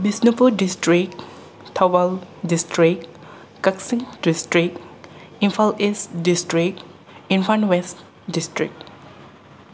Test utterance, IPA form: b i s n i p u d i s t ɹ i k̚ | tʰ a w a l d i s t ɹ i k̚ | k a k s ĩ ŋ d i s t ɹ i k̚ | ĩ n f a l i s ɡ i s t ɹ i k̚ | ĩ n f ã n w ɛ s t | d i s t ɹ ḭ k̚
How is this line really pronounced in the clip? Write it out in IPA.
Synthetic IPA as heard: b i s n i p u d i s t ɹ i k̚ | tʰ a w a l d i s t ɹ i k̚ | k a k s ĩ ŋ d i s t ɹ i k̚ | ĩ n f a l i s d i s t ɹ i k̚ | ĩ n f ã n w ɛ s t | d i s t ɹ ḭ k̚